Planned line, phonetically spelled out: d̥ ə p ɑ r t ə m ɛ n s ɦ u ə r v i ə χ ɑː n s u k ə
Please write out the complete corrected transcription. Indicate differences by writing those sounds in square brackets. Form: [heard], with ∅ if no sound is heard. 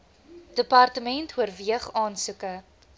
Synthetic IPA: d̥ ə p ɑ r t ə m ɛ n [t] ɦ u ə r v i ə χ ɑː n s u k ə